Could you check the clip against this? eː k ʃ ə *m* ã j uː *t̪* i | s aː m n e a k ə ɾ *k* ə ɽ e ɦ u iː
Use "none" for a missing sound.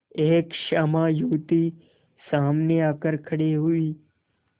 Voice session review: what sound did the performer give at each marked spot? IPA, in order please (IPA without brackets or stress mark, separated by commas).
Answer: m, t̪, kʰ